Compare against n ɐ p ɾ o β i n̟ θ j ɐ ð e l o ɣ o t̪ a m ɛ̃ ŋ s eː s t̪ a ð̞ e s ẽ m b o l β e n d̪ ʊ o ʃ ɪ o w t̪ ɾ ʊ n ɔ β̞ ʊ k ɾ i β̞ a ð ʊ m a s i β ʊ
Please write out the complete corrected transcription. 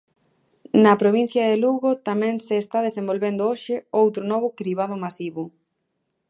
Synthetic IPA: n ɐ p ɾ o β i n̟ θ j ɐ ð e l u ɣ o t̪ a m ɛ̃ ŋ s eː s t̪ a ð̞ e s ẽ m b o l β e n d̪ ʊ o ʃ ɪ o w t̪ ɾ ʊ n ɔ β̞ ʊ k ɾ i β̞ a ð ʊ m a s i β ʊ